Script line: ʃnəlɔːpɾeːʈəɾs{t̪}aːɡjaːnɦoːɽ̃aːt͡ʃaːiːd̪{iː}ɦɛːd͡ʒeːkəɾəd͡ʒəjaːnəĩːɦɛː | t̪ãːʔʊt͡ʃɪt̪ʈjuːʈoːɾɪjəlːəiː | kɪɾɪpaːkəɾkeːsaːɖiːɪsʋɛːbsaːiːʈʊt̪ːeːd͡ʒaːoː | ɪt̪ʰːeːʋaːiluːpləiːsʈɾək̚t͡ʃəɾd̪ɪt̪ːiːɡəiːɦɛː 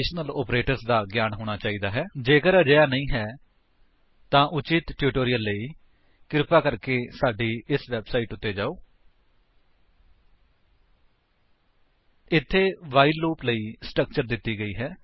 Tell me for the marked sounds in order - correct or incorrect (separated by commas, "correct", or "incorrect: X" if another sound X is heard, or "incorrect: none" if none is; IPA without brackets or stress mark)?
incorrect: d̪, incorrect: aː